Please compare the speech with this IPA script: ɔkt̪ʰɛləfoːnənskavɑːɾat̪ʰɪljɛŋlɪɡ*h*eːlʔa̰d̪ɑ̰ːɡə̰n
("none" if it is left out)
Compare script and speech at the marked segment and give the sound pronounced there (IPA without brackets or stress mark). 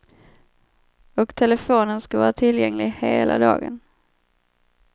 h